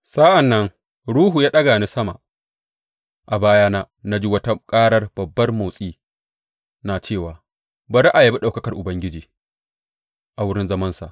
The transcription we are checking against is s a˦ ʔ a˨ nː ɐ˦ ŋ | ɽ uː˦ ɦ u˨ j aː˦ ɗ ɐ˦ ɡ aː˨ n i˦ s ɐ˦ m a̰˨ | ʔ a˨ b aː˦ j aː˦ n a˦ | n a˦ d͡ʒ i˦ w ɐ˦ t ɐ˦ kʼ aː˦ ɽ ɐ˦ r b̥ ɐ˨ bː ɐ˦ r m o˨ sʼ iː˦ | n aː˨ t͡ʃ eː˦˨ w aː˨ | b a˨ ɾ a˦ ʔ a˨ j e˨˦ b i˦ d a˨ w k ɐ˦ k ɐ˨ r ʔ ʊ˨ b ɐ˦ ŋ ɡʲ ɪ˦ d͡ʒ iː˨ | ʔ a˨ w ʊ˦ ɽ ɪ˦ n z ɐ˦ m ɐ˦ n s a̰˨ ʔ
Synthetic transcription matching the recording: s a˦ ʔ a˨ nː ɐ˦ ŋ | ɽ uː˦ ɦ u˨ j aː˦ ɗ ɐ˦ ɡ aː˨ n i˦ s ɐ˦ m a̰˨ | ʔ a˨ b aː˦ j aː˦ n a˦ | n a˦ d͡ʒ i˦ w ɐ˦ t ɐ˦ kʼ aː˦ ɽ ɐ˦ r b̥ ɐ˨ bː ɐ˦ r m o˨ sʼ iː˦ | n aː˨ t͡ʃ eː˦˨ w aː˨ | b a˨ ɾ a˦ ʔ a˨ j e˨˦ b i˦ ɗ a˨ w k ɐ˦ k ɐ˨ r ʔ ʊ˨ b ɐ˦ ŋ ɡʲ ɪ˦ d͡ʒ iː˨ | ʔ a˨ w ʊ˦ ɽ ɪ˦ n z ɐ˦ m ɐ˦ n s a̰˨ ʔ